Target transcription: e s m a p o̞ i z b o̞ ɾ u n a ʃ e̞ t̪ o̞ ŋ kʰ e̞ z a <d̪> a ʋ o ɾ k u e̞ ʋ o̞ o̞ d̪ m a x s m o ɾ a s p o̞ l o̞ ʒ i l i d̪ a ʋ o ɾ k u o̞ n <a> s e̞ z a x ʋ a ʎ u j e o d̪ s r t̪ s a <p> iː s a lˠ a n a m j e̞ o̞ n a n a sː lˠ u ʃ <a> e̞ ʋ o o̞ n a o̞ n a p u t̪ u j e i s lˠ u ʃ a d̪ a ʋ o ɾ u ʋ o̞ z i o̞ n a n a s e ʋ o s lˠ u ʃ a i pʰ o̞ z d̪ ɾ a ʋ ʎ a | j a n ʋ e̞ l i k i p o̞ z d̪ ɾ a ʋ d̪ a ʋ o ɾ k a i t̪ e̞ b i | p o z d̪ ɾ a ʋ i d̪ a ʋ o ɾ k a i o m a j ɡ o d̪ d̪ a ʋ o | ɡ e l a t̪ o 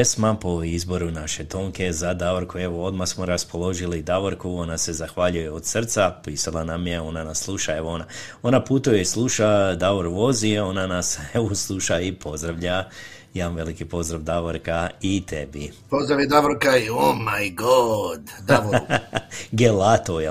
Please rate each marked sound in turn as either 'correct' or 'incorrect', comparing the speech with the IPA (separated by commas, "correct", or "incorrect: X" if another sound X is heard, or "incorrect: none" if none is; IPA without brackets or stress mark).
correct, correct, correct, correct